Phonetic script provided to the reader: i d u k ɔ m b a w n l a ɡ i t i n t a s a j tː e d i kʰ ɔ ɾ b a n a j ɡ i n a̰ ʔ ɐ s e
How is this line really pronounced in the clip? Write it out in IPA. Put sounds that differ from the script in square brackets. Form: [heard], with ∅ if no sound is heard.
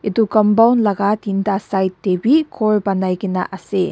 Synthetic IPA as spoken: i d u k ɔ m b a w n l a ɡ [a] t i n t a s a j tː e [b] i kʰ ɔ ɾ b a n a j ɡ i n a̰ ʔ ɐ s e

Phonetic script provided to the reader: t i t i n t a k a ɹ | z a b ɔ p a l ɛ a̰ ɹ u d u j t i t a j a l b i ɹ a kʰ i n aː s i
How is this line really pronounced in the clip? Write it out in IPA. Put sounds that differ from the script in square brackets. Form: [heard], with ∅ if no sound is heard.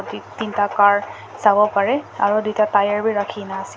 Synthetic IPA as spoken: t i t i n t a k a ɹ | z a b ɔ p a [ɹ] ɛ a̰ ɹ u d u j t [a] t a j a [ɹ] b i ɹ a kʰ i n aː s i

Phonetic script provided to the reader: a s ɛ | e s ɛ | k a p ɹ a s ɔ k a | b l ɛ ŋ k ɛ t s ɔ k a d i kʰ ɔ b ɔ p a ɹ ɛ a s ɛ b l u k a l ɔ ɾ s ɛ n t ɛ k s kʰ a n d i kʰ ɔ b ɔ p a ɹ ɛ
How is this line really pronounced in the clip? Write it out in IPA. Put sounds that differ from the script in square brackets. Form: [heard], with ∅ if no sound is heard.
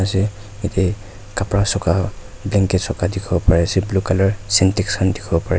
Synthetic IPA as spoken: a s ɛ | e [t] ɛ | k a p ɹ a s ɔ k a | b l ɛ ŋ k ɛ t s ɔ k a d i kʰ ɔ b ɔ p a ɹ ɛ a s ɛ b l u k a l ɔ [ɹ] s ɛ n t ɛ k s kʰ a n d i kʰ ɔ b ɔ p a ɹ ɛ

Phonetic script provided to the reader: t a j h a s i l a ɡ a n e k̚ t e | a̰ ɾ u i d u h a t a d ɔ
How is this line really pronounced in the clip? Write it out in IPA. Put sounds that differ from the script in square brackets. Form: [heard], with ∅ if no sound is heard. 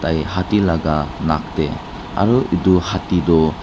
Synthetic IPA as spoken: t a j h a [t] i l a ɡ a n [a] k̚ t e | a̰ ɾ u i d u h a t [i] d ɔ

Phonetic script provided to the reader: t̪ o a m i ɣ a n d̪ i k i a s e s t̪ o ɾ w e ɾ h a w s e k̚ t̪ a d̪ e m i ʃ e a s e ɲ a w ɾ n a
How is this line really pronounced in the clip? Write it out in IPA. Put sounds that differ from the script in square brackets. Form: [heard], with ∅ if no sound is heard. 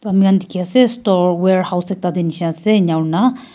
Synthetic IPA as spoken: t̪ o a m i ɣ a n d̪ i k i a s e s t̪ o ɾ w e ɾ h a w s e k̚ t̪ a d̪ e [n] i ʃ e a s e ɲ a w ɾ n a

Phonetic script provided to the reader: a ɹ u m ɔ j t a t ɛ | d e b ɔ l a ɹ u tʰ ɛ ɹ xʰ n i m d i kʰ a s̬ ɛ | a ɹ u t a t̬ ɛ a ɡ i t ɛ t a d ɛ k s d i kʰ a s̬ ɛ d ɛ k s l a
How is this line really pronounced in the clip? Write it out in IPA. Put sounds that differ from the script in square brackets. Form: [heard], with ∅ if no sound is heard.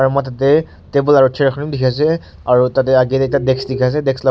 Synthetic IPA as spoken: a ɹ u m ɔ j t a t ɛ | [t] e b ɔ l a ɹ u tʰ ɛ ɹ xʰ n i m d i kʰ a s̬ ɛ | a ɹ u t a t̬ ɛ a ɡ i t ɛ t a d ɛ k s d i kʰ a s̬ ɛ d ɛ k s l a

